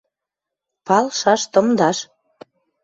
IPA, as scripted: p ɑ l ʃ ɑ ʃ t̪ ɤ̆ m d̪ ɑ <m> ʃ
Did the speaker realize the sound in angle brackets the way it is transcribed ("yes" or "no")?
no